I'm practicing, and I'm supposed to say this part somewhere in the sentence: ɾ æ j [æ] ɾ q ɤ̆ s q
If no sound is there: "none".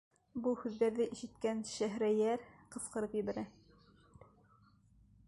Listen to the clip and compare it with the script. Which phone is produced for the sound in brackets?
æ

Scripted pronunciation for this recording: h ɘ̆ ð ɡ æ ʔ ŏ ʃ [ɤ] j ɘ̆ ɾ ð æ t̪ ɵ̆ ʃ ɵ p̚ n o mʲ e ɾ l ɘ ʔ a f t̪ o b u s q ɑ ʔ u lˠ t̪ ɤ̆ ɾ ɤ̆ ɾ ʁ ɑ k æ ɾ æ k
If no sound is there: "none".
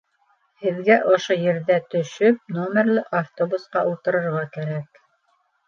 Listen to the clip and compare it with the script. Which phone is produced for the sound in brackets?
o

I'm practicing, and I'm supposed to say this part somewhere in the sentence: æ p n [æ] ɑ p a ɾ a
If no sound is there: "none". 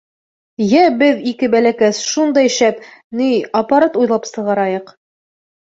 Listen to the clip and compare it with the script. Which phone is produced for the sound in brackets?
i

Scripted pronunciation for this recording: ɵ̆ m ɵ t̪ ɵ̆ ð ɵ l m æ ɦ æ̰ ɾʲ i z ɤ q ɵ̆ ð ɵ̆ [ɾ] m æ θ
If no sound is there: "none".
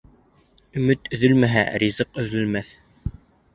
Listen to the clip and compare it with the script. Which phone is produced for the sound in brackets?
l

